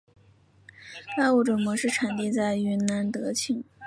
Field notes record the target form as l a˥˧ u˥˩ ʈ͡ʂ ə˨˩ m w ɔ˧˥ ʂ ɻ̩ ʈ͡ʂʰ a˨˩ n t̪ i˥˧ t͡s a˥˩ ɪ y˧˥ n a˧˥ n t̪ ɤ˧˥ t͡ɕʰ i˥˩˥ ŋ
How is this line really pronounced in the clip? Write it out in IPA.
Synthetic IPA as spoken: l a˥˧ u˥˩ ʈ͡ʂ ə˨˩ m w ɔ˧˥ ʂ ɻ̩ ʈ͡ʂʰ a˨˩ n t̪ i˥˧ t͡s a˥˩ ɪ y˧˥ n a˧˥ n t̪ ɤ˧˥ t͡ɕʰ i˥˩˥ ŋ

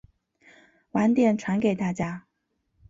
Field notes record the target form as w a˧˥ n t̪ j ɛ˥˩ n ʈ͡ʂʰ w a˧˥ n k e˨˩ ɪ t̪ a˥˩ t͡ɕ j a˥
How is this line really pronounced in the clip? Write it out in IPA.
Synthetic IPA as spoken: w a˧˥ n t̪ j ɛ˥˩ n ʈ͡ʂʰ w a˧˥ n k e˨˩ ɪ t̪ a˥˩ t͡ɕ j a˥

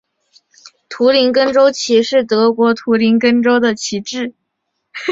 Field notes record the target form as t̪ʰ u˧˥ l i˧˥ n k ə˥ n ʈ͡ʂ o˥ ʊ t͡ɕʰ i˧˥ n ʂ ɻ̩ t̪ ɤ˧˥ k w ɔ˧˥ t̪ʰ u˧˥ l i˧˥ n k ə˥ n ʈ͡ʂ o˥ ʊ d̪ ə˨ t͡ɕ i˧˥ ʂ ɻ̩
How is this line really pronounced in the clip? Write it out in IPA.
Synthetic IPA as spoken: t̪ʰ u˧˥ l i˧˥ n k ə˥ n ʈ͡ʂ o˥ ʊ t͡ɕʰ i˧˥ ʂ ɻ̩ t̪ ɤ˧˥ k w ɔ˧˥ t̪ʰ u˧˥ l i˧˥ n k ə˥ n ʈ͡ʂ o˥ ʊ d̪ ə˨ t͡ɕʰ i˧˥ ʈ͡ʂ ɻ̩

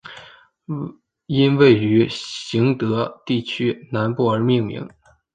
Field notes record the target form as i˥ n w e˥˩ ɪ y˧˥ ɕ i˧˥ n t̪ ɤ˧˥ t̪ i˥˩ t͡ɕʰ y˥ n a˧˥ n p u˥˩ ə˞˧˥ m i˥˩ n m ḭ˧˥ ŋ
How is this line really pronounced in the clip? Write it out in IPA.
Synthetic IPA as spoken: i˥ n w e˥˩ ɪ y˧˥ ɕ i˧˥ ŋ t̪ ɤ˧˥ t̪ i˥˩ t͡ɕʰ y˥ n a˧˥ n p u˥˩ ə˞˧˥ m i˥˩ ŋ m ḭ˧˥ ŋ

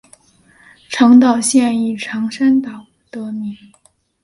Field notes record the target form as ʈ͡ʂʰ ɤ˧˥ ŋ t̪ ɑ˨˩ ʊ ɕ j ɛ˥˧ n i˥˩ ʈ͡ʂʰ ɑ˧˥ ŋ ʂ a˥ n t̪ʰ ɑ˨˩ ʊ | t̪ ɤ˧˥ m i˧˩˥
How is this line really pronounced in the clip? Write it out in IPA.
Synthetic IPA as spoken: ʈ͡ʂʰ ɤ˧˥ ŋ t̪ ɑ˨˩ ʊ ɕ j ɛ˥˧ n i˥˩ ʈ͡ʂʰ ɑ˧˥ ŋ ʂ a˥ n t̪ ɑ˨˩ ʊ | t̪ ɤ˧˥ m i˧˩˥

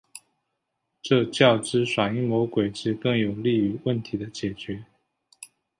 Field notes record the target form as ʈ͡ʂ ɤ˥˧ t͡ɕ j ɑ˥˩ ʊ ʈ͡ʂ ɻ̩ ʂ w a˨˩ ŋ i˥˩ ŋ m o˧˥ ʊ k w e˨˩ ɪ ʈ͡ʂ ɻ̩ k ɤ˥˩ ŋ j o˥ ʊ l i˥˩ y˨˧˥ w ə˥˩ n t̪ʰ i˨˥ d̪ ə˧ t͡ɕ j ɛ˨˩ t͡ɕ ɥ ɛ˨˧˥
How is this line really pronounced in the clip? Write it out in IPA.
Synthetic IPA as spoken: ʈ͡ʂ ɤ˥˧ t͡ɕ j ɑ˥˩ ʊ ʈ͡ʂ ɻ̩ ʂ w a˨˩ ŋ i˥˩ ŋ m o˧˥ ʊ k w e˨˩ ɪ ʈ͡ʂ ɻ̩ k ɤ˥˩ ŋ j o˨˩ ʊ l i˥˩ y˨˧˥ w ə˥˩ n t̪ʰ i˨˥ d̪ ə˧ t͡ɕ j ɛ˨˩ t͡ɕ ɥ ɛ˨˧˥

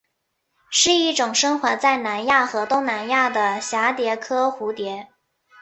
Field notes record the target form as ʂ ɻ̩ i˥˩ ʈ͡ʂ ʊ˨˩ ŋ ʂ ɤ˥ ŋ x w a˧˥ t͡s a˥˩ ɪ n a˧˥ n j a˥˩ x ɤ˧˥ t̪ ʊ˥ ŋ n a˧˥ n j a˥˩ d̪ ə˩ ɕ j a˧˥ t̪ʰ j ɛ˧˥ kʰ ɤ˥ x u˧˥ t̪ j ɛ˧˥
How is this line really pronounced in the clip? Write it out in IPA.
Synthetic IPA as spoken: ʂ ɻ̩ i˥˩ ʈ͡ʂ ʊ˨˩ ŋ ʂ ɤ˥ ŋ x w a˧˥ t͡s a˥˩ ɪ n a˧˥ n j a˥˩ x ɤ˧˥ t̪ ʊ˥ ŋ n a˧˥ n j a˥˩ d̪ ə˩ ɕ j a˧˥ t̪ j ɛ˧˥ kʰ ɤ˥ x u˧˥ t̪ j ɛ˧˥

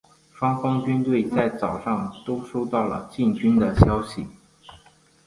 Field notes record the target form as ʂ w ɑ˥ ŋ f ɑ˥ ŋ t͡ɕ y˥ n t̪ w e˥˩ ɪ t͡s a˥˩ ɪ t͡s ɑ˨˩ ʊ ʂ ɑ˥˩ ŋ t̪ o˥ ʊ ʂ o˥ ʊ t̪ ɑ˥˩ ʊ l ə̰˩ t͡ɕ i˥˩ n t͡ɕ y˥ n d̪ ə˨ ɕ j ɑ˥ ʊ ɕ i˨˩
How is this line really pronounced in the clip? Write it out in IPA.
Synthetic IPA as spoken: ʂ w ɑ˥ ŋ f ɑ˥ ŋ t͡ɕ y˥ n t̪ w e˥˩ ɪ t͡s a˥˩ ɪ t͡s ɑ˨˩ ʊ ʂ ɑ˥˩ ŋ t̪ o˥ ʊ ʂ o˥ ʊ t̪ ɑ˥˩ ʊ l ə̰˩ t͡ɕ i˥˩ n t͡ɕ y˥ n d̪ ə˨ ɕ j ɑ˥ ʊ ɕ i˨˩

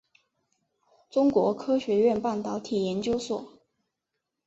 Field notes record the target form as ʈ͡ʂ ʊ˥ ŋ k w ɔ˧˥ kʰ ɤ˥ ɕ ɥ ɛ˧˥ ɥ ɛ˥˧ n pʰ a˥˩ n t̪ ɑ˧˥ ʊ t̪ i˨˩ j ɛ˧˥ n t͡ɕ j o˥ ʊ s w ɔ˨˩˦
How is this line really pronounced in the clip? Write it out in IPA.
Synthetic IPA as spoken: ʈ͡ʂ ʊ˥ ŋ k w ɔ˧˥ kʰ ɤ˥ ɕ ɥ ɛ˧˥ ɥ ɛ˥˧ n p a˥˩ n t̪ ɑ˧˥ ʊ t̪ʰ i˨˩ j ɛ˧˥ n t͡ɕ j o˥ ʊ s w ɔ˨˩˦

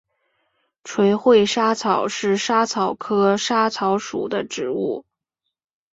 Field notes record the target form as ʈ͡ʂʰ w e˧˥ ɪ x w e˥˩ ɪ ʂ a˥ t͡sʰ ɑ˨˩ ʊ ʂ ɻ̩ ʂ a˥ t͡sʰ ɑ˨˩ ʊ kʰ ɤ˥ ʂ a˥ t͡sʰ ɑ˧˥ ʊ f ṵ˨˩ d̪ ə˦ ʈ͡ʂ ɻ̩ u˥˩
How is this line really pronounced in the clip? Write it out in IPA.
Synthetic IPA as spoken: ʈ͡ʂʰ w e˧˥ ɪ x w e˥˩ ɪ ʂ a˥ t͡sʰ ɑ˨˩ ʊ ʂ ɻ̩ ʂ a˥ t͡sʰ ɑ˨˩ ʊ kʰ ɤ˥ ʂ a˥ t͡sʰ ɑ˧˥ ʊ ʂ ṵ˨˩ d̪ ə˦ ʈ͡ʂ ɻ̩ u˥˩

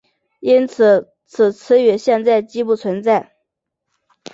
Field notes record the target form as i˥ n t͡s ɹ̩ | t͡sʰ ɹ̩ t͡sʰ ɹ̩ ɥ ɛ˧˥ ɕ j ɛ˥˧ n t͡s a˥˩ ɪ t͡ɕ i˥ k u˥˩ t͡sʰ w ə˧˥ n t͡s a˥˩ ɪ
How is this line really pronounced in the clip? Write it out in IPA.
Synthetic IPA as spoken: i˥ n t͡sʰ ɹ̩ | t͡sʰ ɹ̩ t͡sʰ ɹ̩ ɥ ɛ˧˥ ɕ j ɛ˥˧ n t͡s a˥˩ ɪ t͡ɕ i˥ p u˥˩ t͡sʰ w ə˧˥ n t͡s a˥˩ ɪ

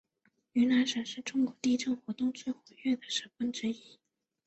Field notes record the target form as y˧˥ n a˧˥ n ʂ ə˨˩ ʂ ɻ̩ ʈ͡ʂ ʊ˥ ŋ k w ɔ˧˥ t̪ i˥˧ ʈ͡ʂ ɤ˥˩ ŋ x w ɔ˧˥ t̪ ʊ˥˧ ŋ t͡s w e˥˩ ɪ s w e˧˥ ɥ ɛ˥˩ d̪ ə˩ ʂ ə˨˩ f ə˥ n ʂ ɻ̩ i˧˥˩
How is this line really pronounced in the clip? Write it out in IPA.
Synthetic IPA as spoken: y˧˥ n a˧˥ n ʂ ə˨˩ ʂ ɻ̩ ʈ͡ʂ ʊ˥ ŋ k w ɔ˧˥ t̪ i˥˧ ʈ͡ʂ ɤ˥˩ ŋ x w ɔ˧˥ t̪ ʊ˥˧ ŋ t͡s w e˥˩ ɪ x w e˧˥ ɥ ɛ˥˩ d̪ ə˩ ʂ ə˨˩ f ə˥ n ʈ͡ʂ ɻ̩ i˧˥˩

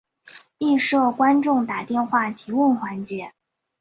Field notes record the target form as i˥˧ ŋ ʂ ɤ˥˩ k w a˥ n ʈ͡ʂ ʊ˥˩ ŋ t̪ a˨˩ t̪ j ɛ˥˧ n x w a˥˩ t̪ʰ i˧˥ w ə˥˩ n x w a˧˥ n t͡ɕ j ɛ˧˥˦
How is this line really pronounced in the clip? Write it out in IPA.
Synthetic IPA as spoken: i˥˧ ʂ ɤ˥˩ k w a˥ n ʈ͡ʂ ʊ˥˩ ŋ t̪ a˨˩ t̪ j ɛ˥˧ n x w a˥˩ t̪ʰ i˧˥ w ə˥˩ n x w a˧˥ n t͡ɕ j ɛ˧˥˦

